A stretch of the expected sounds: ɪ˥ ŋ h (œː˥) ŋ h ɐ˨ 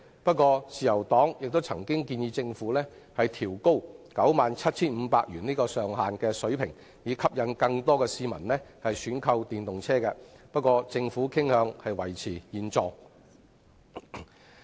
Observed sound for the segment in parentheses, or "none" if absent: œː˨˧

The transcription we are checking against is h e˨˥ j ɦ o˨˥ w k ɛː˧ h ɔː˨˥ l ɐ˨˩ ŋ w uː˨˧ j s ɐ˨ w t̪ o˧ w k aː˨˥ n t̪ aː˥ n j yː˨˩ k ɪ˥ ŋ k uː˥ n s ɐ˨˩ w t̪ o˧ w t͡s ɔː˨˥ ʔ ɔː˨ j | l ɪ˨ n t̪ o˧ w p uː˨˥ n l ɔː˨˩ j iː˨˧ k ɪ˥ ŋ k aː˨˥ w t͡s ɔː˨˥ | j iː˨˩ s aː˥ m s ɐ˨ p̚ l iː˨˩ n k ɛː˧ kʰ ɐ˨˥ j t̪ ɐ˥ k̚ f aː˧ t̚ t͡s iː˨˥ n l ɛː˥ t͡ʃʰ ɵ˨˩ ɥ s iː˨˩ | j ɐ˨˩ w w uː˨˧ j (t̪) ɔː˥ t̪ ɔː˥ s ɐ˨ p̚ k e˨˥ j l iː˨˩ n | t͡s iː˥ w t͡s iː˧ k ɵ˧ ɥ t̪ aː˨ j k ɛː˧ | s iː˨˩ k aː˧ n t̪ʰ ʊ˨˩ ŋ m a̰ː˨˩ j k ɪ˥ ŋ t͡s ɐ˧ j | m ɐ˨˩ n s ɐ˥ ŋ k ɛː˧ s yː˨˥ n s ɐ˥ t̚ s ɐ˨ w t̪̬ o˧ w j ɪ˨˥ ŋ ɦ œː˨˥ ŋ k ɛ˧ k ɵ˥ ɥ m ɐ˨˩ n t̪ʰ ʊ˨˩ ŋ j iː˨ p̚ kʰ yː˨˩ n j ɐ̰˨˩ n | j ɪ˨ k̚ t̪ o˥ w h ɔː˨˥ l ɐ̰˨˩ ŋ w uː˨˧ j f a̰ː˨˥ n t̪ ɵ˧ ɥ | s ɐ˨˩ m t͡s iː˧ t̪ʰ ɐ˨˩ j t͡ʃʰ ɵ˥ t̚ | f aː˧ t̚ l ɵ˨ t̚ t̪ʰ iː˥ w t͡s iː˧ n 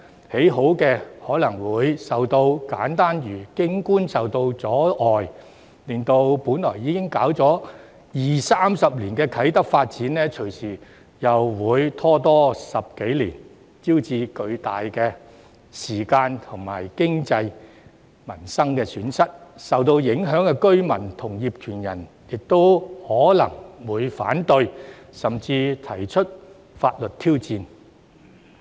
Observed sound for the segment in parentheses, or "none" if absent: t̪ʰ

